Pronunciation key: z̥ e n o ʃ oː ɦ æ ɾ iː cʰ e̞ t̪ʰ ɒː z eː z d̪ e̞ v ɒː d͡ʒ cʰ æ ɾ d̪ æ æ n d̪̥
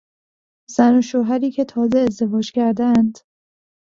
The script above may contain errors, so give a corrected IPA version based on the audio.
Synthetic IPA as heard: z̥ æ n o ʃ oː ɦ æ ɾ iː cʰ e̞ t̪ʰ ɒː z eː z d̪ e̞ v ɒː d͡ʒ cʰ æ ɾ d̪ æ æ n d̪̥